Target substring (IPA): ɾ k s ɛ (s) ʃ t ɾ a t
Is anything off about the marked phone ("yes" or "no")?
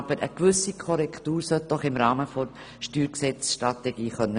yes